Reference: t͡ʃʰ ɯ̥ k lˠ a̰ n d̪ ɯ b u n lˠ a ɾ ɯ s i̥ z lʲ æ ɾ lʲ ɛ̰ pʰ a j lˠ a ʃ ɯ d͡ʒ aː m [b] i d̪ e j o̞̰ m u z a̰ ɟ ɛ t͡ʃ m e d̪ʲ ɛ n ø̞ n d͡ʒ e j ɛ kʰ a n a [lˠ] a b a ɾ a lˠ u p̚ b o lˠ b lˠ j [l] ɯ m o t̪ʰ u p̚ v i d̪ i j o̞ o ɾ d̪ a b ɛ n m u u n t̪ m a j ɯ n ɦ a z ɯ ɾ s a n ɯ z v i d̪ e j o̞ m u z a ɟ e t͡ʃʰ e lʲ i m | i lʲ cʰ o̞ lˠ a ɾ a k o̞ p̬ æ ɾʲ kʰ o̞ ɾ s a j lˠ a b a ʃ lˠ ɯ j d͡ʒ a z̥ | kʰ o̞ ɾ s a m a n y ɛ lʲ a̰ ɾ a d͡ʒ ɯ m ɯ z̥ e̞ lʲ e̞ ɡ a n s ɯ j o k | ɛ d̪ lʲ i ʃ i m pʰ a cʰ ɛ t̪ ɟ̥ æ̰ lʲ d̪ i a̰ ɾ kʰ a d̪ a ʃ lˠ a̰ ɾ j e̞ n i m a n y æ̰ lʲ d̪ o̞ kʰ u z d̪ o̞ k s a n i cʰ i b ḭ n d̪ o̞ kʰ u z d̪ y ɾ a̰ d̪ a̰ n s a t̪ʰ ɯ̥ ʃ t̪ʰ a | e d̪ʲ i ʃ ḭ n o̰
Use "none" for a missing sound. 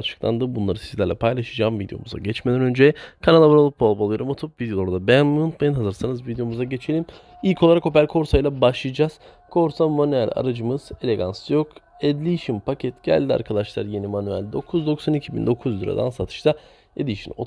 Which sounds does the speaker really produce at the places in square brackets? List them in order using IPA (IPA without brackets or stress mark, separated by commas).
v, lˠ, ɾ